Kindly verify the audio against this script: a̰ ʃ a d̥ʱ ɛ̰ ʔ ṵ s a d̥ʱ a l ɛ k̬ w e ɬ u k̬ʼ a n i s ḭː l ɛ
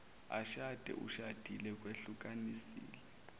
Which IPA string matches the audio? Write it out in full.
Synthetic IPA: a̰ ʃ a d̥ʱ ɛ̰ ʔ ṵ ʃ a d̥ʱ i l ɛ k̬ w e ɬ u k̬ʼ a n i s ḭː l ɛ

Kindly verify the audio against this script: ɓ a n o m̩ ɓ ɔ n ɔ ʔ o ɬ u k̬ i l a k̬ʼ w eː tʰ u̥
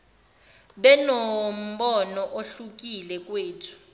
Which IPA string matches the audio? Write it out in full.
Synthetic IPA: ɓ ɛ n o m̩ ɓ ɔ n ɔ ʔ o ɬ u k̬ i l ɛ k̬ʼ w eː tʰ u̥

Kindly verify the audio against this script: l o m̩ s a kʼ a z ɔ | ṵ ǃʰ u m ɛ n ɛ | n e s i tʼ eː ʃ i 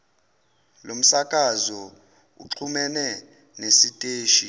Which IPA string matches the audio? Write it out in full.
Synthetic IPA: l o m̩ s a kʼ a z ɔ | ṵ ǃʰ u m ɛ n ɛ | n e s i tʼ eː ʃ i

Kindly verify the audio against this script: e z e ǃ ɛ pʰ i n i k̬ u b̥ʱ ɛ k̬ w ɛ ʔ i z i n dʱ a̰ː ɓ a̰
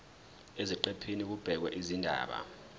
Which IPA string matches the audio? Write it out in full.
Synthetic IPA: e z i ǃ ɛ pʰ i n i k̬ u b̥ʱ ɛ k̬ w ɛ ʔ i z i n dʱ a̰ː ɓ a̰

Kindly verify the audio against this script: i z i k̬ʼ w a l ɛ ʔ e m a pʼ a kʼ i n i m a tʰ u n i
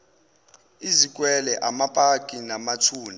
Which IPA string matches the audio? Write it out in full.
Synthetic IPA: i z i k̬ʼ w ɛ l ɛ ʔ a m a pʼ a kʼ i n a m a tʰ uː n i

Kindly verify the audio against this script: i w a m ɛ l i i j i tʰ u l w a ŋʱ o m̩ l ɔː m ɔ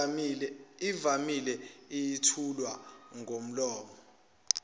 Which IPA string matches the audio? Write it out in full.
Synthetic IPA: i v a m i l ɛ i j i tʰ u l w a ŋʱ o m̩ l ɔː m ɔ

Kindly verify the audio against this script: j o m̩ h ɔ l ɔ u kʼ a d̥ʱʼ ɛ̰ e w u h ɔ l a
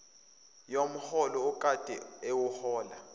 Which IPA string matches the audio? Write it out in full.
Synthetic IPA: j o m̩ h ɔ l ɔ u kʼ a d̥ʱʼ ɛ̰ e w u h ɔː l a

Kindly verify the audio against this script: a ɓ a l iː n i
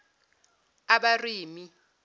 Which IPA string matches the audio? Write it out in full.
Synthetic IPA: a ɓ a r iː m i

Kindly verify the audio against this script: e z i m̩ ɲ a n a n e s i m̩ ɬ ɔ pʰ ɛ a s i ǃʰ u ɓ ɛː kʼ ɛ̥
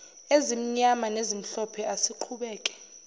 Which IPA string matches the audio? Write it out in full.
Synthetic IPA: e z i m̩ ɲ a m a n e z i m̩ ɬ ɔ pʰ ɛ a s i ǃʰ u ɓ ɛː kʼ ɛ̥

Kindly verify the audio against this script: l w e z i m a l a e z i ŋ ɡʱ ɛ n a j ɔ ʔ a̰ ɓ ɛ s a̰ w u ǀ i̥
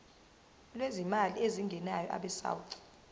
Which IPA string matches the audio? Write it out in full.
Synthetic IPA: l w e z i m a l i e z i ŋ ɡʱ ɛ n a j ɔ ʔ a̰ ɓ ɛ s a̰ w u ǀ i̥

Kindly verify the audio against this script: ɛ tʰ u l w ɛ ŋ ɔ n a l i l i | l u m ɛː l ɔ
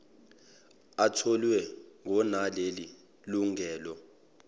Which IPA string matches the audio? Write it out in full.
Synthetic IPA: a tʰ ɔ l w ɛ ŋ ɔ n a l e l i | l u ŋ ɛː l ɔ

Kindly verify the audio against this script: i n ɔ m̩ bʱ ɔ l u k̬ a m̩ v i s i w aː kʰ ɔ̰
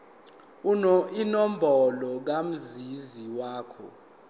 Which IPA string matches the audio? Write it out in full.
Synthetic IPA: i n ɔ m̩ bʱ ɔ l ɔ k̬ a m̩ z i z i w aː kʰ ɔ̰

